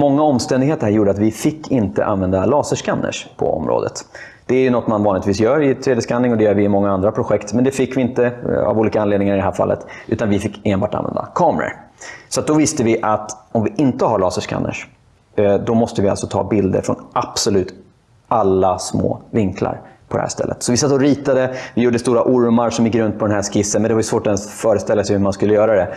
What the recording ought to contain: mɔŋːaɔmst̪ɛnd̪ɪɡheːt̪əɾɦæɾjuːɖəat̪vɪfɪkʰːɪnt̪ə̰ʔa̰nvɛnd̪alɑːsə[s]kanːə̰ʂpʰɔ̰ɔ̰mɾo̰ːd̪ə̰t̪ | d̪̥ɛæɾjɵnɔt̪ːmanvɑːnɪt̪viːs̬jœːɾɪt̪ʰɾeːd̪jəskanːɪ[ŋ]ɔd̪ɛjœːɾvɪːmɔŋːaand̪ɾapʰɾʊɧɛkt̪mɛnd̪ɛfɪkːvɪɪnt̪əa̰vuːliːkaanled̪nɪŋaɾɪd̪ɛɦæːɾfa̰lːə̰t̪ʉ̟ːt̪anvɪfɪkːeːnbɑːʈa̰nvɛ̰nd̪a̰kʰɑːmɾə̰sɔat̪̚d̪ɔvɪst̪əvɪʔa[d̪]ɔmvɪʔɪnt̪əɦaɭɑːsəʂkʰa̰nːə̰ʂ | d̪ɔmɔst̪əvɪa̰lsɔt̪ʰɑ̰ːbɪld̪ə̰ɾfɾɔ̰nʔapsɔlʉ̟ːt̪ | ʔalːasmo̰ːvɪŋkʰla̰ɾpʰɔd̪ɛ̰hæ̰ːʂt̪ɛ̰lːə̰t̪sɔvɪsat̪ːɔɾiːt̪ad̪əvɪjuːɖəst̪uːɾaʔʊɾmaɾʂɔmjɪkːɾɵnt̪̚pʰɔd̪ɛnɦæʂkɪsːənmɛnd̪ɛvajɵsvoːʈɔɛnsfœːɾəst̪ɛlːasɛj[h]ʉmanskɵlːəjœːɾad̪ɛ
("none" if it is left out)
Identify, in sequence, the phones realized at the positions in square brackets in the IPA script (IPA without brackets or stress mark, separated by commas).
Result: ʂ, ŋ, t̪, h